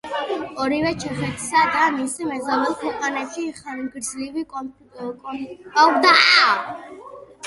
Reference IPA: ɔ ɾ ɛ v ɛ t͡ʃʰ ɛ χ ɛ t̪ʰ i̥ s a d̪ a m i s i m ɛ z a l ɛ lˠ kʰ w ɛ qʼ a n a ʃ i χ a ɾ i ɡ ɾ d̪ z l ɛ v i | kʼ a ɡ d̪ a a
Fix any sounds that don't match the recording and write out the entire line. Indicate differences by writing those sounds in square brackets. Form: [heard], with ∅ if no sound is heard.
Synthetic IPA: ɔ ɾ [i] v ɛ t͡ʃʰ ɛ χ ɛ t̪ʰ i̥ s a d̪ a m i s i m ɛ z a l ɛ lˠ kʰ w ɛ qʼ a n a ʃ i χ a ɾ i ɡ ɾ d̪ z l [i] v i | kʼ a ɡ d̪ a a